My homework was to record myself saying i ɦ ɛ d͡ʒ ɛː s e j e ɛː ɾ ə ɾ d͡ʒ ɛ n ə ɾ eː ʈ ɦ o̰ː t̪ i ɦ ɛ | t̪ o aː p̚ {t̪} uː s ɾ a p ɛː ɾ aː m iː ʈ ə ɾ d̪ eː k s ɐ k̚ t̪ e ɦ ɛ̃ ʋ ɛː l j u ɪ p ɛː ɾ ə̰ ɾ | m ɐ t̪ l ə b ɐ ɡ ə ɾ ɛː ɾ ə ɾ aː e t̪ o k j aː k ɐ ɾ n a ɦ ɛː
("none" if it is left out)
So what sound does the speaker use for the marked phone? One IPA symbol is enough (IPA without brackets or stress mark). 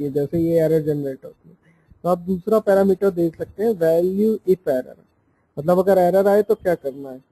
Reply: d̪